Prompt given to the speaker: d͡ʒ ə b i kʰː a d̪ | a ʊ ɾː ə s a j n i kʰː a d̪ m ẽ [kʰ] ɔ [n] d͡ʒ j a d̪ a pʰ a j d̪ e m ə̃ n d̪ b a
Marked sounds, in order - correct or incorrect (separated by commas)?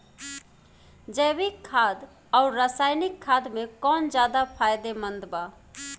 incorrect, correct